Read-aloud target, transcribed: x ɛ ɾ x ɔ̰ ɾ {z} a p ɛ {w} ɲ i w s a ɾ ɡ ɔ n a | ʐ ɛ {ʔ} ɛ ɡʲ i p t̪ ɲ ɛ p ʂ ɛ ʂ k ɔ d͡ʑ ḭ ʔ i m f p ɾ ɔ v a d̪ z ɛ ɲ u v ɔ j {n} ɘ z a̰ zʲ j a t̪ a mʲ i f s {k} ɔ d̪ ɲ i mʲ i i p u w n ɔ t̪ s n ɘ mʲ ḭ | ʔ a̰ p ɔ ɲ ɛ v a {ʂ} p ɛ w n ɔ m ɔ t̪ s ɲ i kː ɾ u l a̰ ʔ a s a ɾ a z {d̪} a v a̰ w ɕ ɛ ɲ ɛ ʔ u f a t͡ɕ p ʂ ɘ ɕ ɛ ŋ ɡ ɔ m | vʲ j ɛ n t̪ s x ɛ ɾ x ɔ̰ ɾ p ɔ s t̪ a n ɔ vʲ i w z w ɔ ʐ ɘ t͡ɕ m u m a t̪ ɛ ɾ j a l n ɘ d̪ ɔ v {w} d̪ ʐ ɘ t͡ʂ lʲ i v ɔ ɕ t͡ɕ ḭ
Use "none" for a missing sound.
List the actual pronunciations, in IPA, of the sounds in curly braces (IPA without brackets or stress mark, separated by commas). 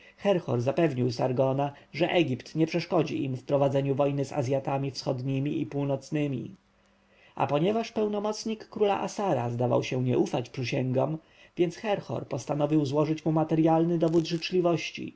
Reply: z, v, ʔ, n, x, ʂ, d̪, u